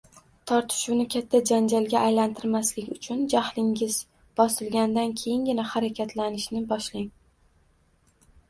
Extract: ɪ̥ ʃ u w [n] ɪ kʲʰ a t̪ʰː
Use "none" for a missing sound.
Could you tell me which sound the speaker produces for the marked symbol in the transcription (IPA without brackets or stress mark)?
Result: n